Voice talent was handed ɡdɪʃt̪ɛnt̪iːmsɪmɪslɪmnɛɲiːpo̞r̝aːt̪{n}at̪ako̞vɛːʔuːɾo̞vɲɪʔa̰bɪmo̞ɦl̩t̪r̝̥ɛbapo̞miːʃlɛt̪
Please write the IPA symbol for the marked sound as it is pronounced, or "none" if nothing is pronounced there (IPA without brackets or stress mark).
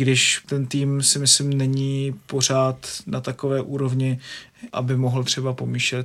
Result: n